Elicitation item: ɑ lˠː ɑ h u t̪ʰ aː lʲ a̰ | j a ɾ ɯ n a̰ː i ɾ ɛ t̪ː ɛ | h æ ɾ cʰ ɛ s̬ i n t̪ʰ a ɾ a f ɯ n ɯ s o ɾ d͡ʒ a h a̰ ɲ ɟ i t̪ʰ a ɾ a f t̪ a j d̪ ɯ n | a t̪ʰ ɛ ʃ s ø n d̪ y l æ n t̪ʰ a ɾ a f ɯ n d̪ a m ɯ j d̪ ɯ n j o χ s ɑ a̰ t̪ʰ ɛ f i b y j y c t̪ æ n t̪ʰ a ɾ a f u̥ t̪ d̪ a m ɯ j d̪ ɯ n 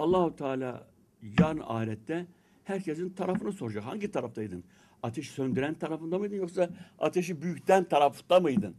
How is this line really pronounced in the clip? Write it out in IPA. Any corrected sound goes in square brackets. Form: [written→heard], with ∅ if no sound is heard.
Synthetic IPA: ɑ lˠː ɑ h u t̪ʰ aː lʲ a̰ | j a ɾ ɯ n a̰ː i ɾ ɛ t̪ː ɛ | h æ ɾ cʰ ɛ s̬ i n t̪ʰ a ɾ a f ɯ n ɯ s o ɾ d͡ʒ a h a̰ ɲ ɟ i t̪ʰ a ɾ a f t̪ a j d̪ ɯ n | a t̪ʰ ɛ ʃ s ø n d̪ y [l→ɾ] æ n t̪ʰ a ɾ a f ɯ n d̪ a m ɯ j d̪ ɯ n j o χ s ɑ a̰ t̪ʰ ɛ [f→ʃ] i b y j y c t̪ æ n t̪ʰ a ɾ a f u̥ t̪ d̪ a m ɯ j d̪ ɯ n